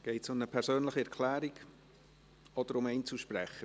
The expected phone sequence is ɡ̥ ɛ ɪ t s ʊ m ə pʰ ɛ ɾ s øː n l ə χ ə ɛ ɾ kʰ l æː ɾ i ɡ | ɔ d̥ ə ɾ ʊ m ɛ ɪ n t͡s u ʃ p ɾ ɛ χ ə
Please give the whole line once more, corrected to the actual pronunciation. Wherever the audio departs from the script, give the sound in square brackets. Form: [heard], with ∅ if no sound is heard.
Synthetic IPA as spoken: ɡ̥ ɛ ɪ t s ʊ m ə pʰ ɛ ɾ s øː n l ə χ ə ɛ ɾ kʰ l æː ɾ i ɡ | ɔ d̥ ə ɾ ʊ m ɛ ɪ n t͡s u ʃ p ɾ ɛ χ ə